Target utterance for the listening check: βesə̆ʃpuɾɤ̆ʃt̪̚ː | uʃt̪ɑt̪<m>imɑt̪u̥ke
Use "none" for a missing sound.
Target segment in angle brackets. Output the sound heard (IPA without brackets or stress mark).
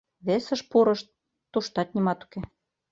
n